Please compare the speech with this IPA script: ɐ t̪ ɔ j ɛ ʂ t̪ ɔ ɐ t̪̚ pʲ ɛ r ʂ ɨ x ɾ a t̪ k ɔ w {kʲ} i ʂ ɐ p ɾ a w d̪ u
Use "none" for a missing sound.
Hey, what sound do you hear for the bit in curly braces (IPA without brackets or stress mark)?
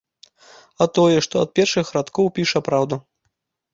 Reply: pʲ